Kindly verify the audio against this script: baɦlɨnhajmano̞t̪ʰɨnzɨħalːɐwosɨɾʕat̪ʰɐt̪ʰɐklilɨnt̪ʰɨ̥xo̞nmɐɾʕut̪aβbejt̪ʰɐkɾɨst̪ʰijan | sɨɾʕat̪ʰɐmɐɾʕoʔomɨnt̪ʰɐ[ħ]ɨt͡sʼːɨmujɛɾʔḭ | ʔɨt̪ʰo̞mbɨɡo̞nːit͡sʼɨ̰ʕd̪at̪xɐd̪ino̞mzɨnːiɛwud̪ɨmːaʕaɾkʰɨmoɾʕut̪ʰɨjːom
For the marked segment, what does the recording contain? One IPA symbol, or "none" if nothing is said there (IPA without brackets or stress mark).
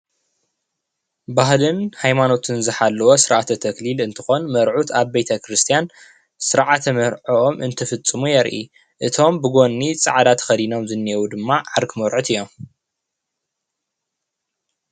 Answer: f